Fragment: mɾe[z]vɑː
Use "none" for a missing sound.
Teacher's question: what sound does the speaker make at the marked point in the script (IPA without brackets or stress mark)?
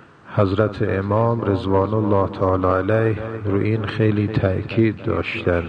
z